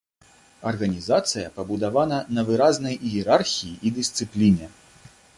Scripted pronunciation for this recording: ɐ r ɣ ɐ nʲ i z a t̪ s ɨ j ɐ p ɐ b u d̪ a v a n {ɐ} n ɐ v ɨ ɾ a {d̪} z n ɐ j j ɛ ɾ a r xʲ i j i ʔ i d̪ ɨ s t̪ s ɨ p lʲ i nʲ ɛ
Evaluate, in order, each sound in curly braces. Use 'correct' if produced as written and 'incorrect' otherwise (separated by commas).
correct, incorrect